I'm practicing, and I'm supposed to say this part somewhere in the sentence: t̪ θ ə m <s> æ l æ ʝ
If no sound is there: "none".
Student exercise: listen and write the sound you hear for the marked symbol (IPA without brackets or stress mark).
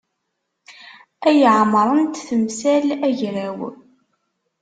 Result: s